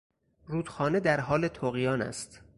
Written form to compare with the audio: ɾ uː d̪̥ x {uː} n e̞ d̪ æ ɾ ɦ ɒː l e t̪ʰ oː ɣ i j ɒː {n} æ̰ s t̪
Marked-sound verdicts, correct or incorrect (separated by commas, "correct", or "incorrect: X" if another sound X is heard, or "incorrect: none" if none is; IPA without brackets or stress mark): incorrect: ɒː, correct